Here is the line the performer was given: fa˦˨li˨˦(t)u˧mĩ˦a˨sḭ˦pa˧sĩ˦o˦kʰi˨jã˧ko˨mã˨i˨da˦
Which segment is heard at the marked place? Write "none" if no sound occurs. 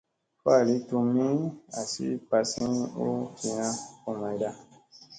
t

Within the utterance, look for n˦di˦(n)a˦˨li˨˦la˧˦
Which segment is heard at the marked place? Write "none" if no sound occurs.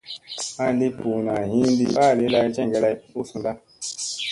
none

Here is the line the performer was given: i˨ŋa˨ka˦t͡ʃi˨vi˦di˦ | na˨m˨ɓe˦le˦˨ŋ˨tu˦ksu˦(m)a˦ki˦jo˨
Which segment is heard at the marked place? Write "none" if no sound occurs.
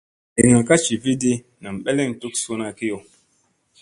n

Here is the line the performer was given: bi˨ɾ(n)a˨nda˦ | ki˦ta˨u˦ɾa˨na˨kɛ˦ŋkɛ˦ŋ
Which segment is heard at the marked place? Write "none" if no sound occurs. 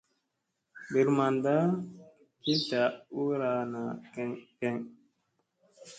m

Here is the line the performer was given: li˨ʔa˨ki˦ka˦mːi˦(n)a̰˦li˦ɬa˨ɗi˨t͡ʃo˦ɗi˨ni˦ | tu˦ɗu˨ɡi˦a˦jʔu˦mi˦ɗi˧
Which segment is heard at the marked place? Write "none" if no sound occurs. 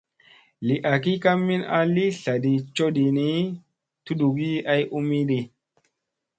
n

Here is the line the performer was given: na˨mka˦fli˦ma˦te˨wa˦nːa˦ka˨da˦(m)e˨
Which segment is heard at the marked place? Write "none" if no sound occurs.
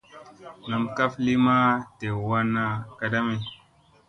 m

